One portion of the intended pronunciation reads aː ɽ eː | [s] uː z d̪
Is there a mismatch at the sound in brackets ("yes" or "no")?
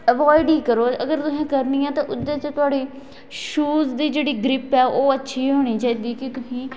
yes